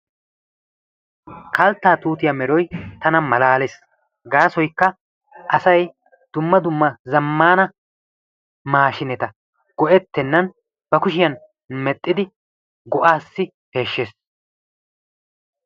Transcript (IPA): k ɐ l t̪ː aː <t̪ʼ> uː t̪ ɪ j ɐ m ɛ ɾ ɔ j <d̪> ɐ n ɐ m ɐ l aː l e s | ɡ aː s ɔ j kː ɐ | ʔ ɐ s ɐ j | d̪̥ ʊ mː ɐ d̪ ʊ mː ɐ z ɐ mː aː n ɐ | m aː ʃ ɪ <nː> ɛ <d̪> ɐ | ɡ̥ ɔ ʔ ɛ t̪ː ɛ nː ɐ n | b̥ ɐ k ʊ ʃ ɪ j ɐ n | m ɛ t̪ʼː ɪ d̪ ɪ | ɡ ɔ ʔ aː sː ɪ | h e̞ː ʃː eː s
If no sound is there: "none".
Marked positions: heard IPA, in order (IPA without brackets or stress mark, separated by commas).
t̪, t̪, n, t̪